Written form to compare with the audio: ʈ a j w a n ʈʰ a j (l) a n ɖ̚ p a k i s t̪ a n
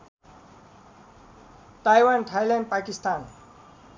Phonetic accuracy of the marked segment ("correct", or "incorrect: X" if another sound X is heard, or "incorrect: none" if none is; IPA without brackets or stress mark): correct